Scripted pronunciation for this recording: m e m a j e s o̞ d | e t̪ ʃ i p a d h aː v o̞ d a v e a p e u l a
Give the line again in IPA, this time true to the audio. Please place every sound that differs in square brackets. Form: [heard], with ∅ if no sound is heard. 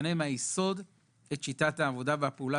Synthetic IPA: [n] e m a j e s o̞ d | e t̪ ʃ i [t] a [t] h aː v o̞ d a v e a p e u l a

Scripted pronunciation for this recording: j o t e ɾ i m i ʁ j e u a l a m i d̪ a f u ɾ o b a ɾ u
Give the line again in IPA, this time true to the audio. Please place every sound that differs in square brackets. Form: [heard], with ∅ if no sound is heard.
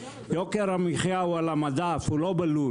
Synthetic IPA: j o [k] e ɾ [a] m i [χ] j [a] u a l a m [a] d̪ a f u [l] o b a [l] u

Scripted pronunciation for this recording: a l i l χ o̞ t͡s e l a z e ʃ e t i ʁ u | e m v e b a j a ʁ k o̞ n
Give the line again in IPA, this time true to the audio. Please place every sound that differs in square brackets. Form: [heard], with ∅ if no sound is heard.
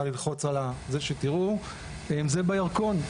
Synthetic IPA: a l i l χ o̞ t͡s [a] l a z e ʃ e t i ʁ u | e m [z] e b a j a ʁ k o̞ n

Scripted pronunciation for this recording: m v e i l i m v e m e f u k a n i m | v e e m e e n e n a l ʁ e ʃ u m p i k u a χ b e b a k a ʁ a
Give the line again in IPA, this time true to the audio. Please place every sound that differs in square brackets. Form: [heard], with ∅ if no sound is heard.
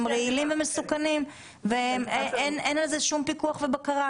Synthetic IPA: m [ʁ] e i l i m v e m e [s] u k a n i m | v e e m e e n e n a l [z] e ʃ u m p i k u a χ [v] e b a k a ʁ a

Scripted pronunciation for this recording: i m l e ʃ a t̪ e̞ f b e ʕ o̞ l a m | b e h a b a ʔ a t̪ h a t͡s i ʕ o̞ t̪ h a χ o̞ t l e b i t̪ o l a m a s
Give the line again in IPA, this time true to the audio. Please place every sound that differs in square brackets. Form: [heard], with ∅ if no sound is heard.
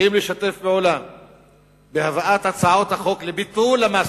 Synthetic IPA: i m l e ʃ a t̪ e̞ f b e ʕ o̞ l a m | b e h a [v] a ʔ a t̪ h a t͡s [a] ʕ o̞ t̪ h a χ o̞ [k] l e b i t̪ [u] l a m a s

